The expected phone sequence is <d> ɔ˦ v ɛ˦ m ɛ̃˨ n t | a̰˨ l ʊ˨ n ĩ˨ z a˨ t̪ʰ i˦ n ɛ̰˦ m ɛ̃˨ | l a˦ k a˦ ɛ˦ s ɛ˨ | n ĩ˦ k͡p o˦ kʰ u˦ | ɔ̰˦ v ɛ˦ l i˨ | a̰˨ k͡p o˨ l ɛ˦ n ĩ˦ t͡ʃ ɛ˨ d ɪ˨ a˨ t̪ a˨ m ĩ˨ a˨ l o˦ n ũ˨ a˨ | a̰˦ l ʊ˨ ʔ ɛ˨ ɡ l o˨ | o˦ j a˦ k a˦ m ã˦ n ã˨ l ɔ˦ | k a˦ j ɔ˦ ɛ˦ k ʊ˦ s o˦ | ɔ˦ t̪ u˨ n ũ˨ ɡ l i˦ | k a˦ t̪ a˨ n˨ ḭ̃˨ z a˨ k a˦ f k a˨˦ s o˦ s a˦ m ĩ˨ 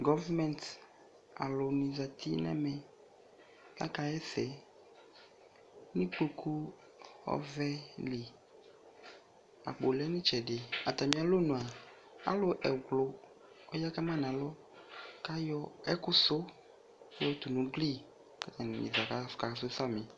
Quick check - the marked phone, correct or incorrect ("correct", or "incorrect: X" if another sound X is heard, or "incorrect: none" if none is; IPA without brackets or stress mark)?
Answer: incorrect: ɡ